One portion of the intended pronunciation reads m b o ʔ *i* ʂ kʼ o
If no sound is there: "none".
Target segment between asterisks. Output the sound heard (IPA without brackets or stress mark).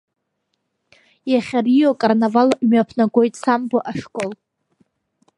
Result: a